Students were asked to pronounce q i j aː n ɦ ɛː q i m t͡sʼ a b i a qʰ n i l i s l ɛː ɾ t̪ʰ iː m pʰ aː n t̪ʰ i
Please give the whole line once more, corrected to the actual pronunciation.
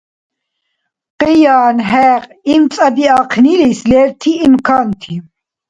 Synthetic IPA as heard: q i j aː n ɦ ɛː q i m t͡sʼ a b i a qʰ n i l i s l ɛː ɾ t̪ʰ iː m kʰ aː n t̪ʰ i